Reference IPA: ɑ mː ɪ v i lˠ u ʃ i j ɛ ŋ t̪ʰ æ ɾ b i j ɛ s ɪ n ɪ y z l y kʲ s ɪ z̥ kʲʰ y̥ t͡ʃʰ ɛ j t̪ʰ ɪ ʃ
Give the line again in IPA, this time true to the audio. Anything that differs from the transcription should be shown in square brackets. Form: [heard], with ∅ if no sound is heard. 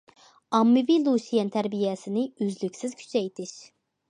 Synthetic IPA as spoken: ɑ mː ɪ v i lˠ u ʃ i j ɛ [n] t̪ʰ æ ɾ b i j ɛ s ɪ n ɪ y z l y kʲ s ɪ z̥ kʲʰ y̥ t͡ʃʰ ɛ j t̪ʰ ɪ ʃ